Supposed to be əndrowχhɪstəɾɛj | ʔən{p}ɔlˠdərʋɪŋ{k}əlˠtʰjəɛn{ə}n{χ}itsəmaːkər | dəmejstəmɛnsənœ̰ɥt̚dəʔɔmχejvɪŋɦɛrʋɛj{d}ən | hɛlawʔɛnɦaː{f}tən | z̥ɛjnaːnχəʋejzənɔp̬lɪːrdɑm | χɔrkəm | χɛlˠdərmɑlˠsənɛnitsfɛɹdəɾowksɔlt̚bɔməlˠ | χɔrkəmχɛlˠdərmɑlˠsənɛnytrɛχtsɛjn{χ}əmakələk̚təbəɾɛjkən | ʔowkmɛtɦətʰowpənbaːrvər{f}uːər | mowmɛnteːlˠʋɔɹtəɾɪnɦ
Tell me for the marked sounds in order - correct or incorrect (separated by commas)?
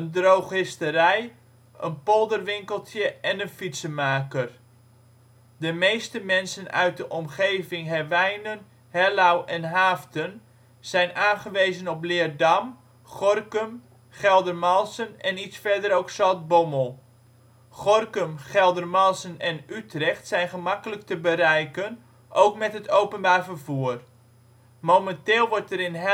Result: correct, correct, correct, incorrect, incorrect, correct, correct, incorrect